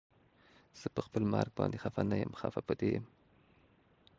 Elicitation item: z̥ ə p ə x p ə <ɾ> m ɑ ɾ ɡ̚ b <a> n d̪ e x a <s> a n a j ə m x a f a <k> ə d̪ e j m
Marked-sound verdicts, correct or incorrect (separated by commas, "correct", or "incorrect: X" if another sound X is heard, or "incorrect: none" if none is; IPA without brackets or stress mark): incorrect: l, incorrect: ɑ, incorrect: f, incorrect: p